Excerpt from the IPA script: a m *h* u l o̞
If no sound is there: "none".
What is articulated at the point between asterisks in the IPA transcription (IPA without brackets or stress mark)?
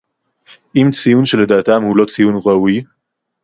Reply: h